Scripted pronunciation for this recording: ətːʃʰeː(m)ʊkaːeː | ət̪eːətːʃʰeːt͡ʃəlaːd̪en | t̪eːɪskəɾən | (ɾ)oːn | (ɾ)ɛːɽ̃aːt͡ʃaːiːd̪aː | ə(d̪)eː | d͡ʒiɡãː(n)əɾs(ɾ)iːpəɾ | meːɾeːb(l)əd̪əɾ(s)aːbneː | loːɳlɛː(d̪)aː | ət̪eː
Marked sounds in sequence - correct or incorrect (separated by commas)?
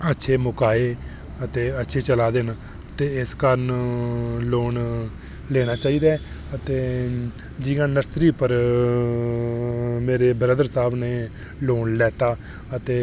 correct, incorrect, incorrect, incorrect, correct, correct, incorrect, correct, incorrect